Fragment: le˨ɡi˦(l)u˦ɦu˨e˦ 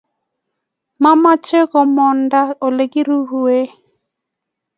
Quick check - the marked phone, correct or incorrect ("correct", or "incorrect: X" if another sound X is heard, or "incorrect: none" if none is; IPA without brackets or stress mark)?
incorrect: ɾ